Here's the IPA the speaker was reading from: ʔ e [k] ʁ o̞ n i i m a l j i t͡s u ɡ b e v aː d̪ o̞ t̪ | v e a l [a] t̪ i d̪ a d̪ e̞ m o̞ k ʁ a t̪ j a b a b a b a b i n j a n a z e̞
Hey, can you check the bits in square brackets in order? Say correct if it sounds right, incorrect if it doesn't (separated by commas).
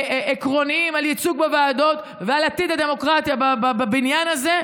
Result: correct, correct